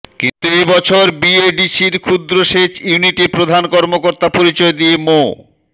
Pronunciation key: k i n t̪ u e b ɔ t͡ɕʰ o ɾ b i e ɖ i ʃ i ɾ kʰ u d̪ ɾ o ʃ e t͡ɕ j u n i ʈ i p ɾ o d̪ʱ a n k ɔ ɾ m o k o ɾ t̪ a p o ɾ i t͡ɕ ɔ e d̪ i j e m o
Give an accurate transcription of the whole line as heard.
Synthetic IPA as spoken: k i n t̪ u e b ɔ t͡ɕʰ o ɾ b i e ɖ i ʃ i ɾ kʰ u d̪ ɾ o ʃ e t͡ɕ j u n i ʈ i p ɾ o d̪ʱ a n k ɔ ɾ m o k o ɾ t̪ a p o ɾ i t͡ɕ ɔ e d̪ i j e m o

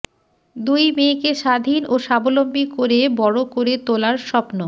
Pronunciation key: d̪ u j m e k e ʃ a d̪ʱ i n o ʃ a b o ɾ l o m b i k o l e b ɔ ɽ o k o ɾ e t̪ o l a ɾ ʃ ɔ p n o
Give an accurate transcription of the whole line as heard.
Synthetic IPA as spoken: d̪ u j m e k e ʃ a d̪ʱ i n o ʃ a b o l o m b i k o ɾ e b ɔ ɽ o k o ɾ e t̪ o l a ɾ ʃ ɔ p n o

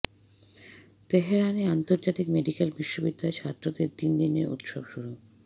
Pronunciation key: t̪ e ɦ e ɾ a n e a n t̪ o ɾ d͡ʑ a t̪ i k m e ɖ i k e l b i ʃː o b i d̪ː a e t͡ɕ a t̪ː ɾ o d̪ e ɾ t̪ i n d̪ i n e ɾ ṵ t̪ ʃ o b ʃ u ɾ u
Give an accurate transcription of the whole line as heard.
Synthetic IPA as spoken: t̪ e ɦ e ɾ a n e a n t̪ o ɾ d͡ʑ a t̪ i k m e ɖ i k e l b i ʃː o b i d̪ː a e t͡ɕʰ a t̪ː ɾ o d̪ e ɾ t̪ i n d̪ i n e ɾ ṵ t̪ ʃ o b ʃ u ɾ u

